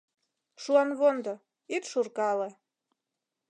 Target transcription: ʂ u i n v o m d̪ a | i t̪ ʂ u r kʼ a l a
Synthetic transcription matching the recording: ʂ u a n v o n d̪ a | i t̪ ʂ u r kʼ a l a